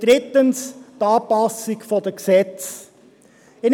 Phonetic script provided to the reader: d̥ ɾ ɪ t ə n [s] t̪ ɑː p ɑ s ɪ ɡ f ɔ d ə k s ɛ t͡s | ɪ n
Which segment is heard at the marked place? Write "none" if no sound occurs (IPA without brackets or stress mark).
s